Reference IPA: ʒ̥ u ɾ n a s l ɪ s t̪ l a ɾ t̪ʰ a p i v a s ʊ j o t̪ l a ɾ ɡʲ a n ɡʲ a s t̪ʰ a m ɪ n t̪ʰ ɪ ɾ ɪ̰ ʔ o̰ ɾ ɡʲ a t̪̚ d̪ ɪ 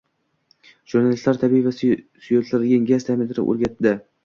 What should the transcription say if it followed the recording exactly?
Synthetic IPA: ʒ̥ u ɾ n a l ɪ s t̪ l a ɾ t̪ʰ a b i v a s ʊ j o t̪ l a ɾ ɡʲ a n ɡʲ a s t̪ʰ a m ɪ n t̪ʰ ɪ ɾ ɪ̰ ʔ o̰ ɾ ɡʲ a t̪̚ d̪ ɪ